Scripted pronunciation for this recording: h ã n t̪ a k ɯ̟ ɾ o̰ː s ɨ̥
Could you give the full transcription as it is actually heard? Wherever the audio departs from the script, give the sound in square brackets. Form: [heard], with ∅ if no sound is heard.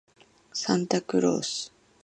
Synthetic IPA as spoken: [s] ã n t̪ a k ɯ̟ ɾ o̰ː s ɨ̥